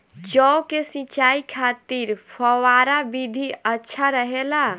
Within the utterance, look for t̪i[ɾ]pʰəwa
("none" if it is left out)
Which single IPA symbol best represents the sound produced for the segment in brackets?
ɾ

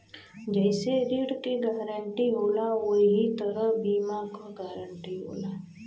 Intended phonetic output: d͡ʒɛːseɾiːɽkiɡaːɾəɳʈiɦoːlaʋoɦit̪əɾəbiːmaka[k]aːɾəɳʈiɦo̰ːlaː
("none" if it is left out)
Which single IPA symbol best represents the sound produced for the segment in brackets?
ɡ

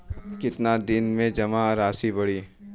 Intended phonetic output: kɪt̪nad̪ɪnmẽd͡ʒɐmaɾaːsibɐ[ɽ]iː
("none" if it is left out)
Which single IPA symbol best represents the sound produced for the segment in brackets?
ɽ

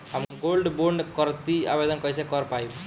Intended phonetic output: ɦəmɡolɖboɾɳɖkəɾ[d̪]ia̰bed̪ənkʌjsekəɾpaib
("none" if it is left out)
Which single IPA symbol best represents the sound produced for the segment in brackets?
t̪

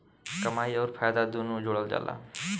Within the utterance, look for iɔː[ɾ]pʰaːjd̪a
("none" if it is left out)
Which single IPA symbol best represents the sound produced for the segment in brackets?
ɾ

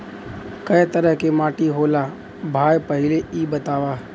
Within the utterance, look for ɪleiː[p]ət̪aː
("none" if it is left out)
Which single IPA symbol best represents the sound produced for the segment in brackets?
b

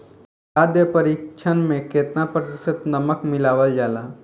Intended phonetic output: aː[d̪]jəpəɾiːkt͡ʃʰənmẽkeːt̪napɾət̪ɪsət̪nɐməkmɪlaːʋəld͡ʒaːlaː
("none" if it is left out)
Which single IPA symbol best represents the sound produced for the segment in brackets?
d̪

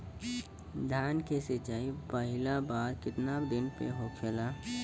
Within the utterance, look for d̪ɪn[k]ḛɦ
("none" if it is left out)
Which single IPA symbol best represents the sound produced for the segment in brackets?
p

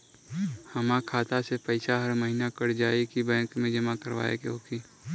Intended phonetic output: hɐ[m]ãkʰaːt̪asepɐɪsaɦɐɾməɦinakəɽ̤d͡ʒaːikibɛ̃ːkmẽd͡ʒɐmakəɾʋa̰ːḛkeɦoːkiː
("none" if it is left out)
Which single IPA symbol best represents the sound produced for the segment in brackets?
m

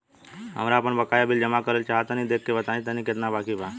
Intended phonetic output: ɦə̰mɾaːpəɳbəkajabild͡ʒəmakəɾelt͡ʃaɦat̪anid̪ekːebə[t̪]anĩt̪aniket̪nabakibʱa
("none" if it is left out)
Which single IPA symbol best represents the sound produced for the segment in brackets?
t̪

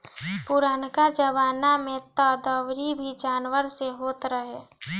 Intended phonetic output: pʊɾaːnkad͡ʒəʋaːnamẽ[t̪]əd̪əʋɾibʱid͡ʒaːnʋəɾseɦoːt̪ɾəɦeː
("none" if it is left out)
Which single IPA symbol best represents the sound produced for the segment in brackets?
t̪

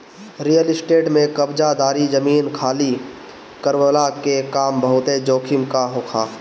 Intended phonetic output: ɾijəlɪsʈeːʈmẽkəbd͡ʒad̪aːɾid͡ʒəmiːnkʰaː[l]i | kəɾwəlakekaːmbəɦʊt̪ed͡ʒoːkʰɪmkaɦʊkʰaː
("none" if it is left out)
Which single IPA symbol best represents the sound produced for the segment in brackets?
l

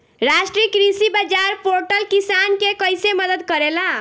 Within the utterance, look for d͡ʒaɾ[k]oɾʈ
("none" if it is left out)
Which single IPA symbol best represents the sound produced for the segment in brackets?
p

